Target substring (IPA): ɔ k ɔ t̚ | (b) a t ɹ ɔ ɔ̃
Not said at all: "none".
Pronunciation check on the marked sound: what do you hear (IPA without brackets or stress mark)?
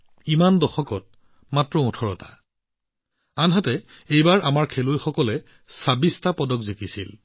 m